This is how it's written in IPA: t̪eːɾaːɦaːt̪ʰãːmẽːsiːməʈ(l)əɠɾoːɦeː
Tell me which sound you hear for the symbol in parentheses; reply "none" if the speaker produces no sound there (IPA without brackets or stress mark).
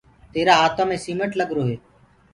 l